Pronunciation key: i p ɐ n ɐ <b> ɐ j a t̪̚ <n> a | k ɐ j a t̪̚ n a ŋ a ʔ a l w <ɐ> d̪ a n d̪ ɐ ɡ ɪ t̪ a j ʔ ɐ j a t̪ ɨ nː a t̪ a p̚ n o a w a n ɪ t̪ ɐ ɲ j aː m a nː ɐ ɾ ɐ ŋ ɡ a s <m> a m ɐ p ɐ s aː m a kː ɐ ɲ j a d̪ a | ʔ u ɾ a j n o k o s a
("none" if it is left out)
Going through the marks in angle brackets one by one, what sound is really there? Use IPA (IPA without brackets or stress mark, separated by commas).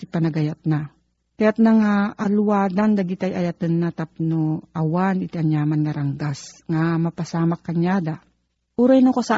ɡ, n, a, ŋ